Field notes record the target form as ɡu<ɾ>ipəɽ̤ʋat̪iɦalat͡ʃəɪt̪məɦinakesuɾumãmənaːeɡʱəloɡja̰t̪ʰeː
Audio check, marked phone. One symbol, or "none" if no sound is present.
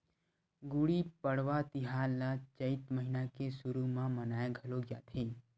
ɽ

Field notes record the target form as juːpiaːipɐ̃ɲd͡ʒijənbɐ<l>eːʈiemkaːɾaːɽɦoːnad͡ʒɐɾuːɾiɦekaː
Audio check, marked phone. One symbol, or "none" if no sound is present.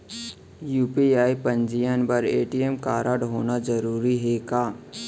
ɾ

